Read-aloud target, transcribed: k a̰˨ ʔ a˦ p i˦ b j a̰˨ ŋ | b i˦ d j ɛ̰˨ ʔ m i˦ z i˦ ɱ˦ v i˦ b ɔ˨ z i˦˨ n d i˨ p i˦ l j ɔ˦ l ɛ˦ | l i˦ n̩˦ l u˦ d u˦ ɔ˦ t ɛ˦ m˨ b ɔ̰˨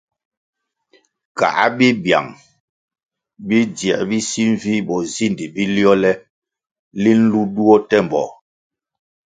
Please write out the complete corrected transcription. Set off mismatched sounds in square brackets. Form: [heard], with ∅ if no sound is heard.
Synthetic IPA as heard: k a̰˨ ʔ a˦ [b] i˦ b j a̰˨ ŋ | b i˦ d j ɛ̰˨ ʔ [b] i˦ [s] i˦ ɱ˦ v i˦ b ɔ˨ z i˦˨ n d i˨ [b] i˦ l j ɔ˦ l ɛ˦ | l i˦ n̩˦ l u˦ d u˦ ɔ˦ t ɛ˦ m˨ b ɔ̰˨